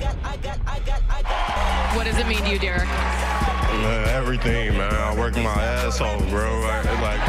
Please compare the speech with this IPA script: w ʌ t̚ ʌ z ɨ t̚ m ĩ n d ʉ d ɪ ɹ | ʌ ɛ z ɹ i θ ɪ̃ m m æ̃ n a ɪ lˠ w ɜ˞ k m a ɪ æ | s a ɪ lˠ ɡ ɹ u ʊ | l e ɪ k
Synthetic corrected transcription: w ʌ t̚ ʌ z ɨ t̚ m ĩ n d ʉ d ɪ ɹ | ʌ ɛ v ɹ i θ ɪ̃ ŋ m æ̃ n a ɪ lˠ w ɜ˞ k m a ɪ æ | s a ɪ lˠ ɡ ɹ o ʊ | l a ɪ k